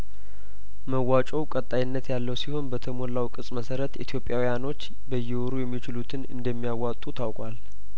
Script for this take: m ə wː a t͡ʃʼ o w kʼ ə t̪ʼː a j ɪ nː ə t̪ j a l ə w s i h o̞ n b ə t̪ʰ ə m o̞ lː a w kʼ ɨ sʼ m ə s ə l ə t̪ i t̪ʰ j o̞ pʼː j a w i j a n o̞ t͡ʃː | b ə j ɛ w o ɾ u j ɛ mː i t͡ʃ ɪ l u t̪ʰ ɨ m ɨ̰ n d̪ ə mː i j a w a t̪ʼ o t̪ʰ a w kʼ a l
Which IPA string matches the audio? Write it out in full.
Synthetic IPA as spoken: m ə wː a t͡ʃʼ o w kʼ ə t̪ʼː a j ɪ nː ə t̪ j a lː ə w s i h o̞ n b ə t̪ʰ ə m o̞ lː a w kʼ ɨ sʼ m ə s ə ɾ ə t̪ i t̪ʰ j o̞ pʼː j a w i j a n o̞ t͡ʃː | b ə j ɛ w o ɾ u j ɛ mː i t͡ʃ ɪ l u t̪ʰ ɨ n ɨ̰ n d̪ ə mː i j a w a t̪ʼ u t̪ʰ a w kʼ a l